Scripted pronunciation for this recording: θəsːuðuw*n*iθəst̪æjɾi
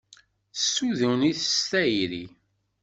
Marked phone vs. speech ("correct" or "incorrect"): correct